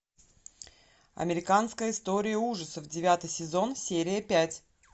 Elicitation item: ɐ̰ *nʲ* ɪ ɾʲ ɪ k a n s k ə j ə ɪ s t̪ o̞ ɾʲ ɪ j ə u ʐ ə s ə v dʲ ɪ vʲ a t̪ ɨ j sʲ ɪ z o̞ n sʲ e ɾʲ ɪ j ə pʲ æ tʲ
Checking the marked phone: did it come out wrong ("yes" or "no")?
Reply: yes